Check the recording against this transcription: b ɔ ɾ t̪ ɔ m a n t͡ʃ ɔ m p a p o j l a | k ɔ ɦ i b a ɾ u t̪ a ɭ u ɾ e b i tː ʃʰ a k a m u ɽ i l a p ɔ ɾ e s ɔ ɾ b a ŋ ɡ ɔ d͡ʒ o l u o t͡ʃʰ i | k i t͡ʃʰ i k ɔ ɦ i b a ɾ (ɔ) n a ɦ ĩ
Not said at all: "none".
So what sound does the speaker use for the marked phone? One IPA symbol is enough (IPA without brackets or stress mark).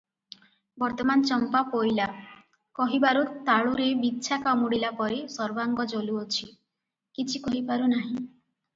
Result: u